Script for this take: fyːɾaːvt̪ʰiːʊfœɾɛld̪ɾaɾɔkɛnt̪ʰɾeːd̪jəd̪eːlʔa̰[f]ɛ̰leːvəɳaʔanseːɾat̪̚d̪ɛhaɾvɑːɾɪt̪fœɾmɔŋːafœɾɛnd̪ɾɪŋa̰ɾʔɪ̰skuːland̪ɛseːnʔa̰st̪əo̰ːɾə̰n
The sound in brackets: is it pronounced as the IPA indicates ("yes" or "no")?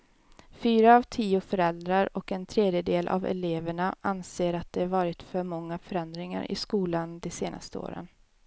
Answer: no